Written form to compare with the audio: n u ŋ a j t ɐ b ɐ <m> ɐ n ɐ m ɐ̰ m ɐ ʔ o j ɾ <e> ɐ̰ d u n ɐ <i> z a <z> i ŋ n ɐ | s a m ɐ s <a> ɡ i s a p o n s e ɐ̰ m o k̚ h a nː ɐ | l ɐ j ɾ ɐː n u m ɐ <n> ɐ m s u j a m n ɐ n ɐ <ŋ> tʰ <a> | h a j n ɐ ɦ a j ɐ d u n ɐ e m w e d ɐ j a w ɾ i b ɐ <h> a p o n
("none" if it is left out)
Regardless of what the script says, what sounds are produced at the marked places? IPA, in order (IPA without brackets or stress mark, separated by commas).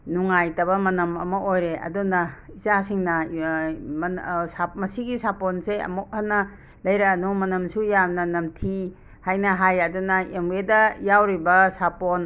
m, e, i, s, i, n, m, i, s